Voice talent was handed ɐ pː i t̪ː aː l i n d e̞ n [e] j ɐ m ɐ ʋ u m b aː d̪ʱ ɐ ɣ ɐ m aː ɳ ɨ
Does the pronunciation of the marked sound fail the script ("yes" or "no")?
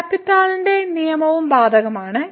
yes